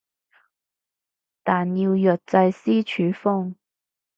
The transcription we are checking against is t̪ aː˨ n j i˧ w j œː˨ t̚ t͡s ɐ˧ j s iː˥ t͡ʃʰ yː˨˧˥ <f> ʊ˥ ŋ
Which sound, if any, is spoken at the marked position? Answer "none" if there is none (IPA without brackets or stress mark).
f